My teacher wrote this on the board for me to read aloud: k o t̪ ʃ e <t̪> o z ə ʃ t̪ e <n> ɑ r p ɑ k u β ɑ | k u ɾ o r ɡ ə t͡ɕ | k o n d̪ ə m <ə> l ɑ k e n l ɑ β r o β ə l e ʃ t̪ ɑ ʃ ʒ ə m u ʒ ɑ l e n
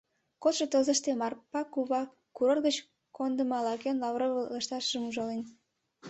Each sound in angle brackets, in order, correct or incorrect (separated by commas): correct, incorrect, incorrect